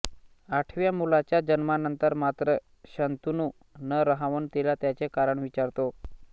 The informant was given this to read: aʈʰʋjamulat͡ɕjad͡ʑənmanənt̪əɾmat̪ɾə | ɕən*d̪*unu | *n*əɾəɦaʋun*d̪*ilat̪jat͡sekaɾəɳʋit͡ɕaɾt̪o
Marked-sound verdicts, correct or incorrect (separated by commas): incorrect, correct, incorrect